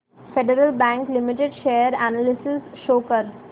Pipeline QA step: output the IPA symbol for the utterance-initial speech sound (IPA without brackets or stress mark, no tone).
f